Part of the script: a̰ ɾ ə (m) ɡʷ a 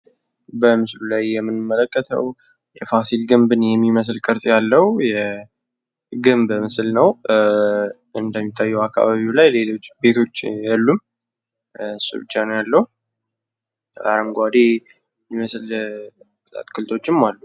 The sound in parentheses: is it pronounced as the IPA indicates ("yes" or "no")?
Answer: yes